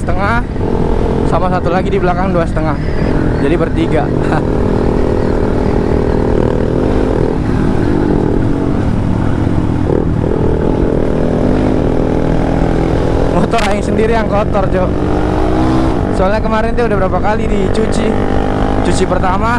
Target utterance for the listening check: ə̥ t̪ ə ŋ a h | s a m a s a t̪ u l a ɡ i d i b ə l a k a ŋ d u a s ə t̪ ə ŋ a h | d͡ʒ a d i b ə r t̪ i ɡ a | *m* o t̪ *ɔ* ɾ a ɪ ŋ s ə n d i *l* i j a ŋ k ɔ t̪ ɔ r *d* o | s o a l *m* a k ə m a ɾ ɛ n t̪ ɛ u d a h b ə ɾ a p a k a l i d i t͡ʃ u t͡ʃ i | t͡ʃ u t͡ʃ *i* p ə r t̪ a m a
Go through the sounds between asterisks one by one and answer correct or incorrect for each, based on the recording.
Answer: correct, correct, incorrect: ɾ, incorrect: d͡ʒ, incorrect: ɲ, correct

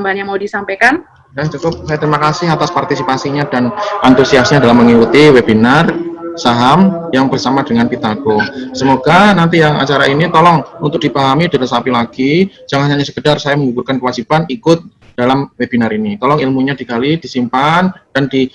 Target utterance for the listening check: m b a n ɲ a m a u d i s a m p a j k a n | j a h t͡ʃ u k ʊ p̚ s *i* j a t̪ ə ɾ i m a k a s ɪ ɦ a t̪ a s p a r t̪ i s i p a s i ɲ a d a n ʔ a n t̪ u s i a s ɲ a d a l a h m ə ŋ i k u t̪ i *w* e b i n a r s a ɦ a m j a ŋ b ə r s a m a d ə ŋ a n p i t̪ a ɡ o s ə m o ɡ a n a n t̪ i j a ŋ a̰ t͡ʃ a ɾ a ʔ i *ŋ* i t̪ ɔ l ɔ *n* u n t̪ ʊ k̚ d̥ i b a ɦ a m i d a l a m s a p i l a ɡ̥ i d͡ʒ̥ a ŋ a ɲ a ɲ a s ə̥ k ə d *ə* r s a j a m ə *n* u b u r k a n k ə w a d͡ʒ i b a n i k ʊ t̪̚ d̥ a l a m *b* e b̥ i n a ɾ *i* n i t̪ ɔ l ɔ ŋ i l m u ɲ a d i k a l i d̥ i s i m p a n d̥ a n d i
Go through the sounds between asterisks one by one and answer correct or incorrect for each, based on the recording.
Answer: incorrect: a, correct, incorrect: n, incorrect: ŋ, incorrect: a, incorrect: ŋ, incorrect: w, correct

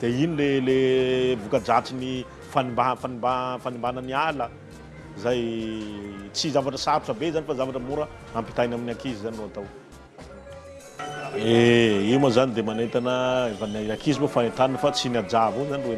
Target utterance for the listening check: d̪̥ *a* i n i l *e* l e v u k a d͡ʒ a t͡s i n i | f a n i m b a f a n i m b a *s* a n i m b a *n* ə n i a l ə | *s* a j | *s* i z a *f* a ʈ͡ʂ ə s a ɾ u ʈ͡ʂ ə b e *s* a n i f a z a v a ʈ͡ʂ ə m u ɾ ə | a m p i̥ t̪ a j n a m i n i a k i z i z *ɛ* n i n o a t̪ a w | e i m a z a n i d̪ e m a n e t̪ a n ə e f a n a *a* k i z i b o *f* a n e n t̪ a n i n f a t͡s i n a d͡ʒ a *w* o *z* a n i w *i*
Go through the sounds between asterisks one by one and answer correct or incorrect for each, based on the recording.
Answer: incorrect: e, correct, incorrect: f, correct, incorrect: z, incorrect: t͡s, incorrect: v, incorrect: z, incorrect: a, correct, correct, incorrect: v, correct, incorrect: e

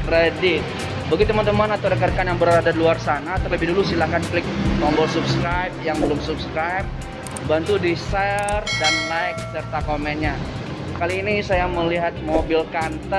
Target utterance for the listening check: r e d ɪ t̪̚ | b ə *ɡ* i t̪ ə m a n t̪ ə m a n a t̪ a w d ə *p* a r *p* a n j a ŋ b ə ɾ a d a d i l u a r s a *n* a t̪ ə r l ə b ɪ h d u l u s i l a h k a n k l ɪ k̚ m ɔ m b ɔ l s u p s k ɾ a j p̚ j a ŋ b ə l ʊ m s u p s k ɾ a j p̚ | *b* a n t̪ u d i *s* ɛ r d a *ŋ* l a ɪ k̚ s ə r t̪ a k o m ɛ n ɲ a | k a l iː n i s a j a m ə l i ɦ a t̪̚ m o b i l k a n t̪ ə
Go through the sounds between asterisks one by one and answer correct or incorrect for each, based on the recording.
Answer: correct, incorrect: k, incorrect: k, correct, correct, correct, incorrect: n

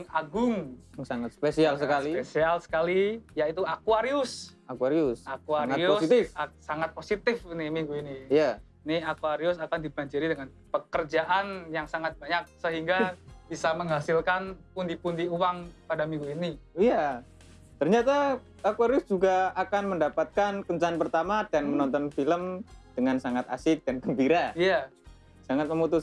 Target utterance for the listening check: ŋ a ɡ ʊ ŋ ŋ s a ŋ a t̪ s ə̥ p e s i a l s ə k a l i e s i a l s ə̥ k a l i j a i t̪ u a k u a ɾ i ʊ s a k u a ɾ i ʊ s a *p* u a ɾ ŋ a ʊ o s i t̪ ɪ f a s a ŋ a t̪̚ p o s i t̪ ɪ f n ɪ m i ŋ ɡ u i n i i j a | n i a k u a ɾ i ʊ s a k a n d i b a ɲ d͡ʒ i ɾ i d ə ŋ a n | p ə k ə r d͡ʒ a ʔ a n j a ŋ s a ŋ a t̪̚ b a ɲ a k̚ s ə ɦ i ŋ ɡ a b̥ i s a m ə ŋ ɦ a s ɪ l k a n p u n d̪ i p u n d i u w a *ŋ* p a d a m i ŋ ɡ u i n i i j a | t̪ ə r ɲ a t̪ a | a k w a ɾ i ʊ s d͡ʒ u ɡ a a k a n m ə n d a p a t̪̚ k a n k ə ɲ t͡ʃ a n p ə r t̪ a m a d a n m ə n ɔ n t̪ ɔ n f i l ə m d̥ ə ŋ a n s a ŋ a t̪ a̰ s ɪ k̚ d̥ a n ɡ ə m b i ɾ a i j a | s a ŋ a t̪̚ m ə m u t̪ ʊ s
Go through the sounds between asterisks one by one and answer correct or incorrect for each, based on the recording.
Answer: incorrect: k, correct

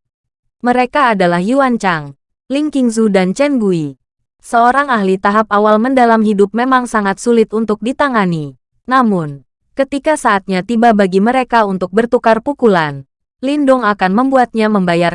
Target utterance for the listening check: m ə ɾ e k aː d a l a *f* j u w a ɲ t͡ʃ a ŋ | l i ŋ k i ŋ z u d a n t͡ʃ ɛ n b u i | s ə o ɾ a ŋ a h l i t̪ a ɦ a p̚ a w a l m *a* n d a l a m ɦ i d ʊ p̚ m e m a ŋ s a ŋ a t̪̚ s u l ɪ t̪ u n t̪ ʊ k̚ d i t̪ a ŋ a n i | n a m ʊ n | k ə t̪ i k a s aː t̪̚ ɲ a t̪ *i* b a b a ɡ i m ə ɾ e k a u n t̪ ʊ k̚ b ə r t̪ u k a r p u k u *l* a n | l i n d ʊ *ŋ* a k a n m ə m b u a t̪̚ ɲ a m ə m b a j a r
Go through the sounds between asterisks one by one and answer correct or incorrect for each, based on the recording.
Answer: incorrect: h, incorrect: ə, correct, correct, correct

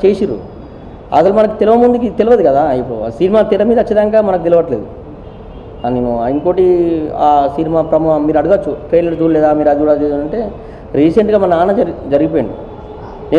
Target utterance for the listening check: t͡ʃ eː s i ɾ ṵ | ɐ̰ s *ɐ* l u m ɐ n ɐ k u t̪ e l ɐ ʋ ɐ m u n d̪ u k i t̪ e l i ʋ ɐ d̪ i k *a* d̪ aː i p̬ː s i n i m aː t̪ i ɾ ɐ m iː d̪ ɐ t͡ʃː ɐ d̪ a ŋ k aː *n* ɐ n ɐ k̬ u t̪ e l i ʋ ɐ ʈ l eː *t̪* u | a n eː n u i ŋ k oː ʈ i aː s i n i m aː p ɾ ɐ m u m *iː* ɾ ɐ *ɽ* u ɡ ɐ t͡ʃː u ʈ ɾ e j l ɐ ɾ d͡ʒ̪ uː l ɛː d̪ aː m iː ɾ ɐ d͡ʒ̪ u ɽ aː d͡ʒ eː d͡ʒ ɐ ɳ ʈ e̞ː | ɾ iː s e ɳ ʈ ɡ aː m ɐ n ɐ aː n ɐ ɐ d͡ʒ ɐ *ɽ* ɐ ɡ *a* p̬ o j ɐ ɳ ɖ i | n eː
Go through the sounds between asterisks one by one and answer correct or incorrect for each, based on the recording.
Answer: correct, incorrect: ɐ, incorrect: m, incorrect: d̪, correct, correct, incorrect: ɾ, incorrect: i

